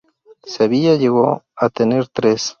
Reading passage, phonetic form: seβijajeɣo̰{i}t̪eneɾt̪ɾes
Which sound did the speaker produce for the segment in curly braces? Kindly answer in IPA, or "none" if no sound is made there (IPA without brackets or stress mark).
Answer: a